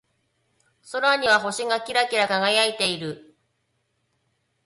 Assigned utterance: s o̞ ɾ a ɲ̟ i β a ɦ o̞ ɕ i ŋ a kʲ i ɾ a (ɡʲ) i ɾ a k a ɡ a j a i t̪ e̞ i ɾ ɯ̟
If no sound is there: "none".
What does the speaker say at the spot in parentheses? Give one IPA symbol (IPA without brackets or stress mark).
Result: kʲ